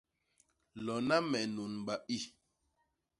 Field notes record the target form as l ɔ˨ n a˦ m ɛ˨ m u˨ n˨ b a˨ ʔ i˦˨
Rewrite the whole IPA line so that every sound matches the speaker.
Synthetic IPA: l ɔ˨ n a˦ m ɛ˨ n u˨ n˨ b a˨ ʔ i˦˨